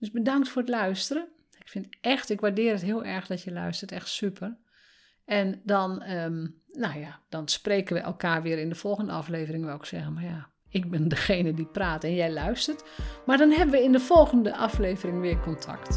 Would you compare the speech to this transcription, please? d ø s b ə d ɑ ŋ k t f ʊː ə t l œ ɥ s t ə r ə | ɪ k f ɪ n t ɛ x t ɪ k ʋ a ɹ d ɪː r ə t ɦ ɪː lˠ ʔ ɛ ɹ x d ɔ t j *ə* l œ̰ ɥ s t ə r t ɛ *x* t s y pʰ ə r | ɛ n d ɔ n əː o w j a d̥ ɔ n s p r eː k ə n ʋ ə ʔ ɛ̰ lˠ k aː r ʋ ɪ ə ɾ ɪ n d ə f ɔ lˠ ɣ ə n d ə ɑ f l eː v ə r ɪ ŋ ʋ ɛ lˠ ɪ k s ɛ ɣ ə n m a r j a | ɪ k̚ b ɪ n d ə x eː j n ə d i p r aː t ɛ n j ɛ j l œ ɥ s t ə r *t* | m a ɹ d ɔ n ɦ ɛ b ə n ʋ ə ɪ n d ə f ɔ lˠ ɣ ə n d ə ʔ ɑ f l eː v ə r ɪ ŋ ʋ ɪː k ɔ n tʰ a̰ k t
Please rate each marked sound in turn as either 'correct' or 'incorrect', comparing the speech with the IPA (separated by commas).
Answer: correct, correct, correct